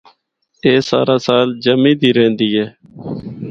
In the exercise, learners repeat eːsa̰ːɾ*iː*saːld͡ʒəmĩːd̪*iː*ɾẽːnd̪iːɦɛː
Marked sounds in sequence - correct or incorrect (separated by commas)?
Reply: incorrect, correct